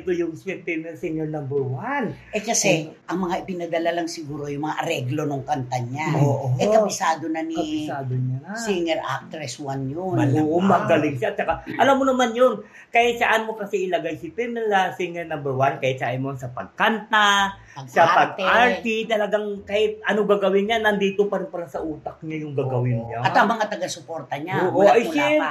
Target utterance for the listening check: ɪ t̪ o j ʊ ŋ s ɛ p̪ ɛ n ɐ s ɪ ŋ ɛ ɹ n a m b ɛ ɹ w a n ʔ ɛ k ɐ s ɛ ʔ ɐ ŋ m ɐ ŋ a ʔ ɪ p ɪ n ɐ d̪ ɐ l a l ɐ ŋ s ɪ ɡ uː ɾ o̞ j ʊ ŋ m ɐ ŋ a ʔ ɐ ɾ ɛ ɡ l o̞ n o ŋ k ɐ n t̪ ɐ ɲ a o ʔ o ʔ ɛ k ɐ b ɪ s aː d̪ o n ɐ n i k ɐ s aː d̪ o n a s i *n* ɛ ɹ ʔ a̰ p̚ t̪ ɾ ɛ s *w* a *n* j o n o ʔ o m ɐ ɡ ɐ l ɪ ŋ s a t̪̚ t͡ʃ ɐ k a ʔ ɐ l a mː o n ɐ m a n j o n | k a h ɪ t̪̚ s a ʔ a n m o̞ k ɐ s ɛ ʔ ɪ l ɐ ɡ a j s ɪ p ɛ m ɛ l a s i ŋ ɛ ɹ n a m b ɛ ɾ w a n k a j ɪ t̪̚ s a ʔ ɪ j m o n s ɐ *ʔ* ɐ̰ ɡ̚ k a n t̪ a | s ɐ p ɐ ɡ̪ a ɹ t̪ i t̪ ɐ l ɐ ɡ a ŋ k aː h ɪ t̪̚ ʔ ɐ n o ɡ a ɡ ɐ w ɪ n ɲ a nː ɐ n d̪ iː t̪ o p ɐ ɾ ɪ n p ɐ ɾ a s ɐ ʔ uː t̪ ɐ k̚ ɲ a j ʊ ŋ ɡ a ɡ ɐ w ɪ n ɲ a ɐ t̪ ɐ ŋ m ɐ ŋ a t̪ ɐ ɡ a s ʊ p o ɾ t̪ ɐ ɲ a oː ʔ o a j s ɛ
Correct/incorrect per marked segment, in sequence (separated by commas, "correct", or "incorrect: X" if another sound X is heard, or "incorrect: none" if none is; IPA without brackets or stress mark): incorrect: ŋ, correct, correct, incorrect: p